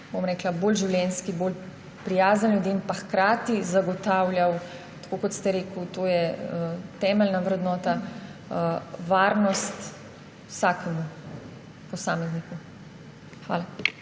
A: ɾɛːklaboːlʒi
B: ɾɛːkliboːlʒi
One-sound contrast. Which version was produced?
A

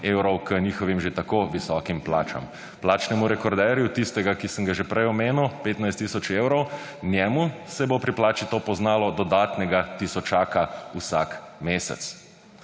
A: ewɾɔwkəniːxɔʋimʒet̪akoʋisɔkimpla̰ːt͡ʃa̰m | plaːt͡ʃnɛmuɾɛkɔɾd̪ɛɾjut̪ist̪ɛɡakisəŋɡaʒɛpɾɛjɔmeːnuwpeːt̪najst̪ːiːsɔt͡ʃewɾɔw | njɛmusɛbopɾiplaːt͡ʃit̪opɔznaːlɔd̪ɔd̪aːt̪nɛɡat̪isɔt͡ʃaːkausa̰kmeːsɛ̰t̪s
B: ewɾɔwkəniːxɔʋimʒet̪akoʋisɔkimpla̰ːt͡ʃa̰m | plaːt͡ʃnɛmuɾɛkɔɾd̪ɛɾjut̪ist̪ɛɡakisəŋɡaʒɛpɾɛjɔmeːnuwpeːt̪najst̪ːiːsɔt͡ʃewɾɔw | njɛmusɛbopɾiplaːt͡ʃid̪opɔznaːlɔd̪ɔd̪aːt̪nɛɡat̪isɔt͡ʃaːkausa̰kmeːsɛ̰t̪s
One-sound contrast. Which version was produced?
A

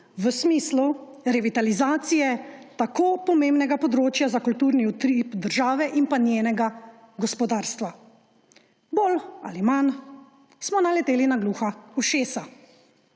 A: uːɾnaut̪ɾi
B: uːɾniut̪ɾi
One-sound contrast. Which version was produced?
B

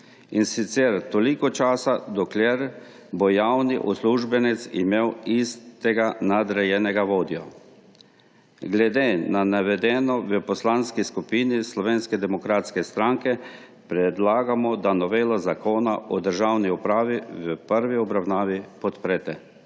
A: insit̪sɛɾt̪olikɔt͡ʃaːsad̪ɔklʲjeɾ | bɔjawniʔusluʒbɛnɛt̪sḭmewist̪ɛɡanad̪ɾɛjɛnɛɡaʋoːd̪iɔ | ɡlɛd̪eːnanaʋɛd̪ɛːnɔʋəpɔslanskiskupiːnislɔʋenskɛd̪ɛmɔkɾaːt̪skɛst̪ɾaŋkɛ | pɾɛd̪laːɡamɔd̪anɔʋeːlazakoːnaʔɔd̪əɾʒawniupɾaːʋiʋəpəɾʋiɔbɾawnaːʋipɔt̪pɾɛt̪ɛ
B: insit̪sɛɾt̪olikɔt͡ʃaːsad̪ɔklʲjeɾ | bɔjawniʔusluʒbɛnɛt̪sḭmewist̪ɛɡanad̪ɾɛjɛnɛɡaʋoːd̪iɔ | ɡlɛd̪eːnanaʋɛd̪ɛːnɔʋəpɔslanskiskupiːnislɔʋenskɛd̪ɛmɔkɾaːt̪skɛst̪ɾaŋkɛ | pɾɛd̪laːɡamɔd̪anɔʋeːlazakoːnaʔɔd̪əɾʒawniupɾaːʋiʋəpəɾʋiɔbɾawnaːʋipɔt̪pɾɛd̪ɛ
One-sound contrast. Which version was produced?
A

